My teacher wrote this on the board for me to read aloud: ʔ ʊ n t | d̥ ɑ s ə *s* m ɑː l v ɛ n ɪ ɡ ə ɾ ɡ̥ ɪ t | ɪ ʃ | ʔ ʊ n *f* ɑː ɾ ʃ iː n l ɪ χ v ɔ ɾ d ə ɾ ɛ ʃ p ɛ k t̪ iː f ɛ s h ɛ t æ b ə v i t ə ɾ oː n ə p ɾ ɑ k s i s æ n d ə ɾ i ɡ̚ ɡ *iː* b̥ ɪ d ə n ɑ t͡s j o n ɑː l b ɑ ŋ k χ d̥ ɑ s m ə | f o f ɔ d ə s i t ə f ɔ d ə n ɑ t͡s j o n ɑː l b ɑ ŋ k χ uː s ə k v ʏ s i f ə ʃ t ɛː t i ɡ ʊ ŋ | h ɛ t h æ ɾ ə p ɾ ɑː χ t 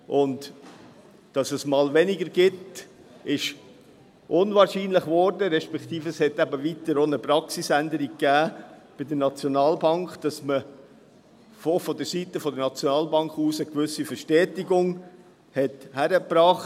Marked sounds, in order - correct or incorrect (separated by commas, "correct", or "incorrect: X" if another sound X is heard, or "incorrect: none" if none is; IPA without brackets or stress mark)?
correct, incorrect: v, incorrect: æː